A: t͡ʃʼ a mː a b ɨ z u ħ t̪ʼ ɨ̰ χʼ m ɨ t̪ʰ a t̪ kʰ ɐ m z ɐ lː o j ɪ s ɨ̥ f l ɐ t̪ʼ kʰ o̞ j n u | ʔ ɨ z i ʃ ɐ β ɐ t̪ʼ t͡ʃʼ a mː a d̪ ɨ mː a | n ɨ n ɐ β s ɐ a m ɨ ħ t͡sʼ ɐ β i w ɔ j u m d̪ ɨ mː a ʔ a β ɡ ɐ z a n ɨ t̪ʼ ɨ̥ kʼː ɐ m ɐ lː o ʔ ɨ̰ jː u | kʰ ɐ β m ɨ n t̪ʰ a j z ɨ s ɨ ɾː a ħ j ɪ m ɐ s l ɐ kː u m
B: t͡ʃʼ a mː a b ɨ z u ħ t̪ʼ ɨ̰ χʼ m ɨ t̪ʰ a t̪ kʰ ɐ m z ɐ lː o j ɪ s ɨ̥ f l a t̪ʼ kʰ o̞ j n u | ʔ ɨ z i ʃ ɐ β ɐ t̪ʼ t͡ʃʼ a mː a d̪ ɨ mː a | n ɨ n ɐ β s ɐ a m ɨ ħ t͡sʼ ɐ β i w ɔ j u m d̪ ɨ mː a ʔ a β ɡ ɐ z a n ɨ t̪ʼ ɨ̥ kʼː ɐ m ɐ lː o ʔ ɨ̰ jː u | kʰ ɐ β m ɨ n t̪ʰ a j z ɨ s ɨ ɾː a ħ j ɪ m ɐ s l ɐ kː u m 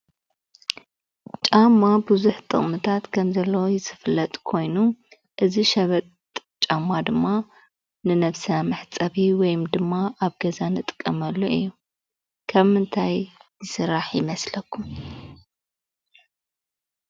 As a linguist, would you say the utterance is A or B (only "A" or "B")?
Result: A